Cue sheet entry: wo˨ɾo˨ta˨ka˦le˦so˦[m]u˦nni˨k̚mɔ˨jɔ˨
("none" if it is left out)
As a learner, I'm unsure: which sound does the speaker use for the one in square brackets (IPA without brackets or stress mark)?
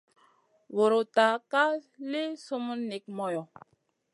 m